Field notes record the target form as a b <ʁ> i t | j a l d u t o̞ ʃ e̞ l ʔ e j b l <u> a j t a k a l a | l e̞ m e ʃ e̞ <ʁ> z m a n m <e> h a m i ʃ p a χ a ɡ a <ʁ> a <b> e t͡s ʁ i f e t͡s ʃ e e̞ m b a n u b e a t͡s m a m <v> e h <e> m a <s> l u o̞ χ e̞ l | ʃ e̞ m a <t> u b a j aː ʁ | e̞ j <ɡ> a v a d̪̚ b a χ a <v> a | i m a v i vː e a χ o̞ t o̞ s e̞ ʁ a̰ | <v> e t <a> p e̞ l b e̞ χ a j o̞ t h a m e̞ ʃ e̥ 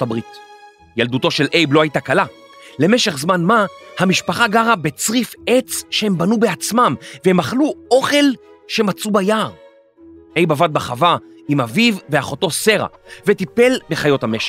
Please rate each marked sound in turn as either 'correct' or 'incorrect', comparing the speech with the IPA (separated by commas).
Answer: correct, incorrect, incorrect, incorrect, correct, correct, correct, correct, incorrect, incorrect, incorrect, correct, correct, incorrect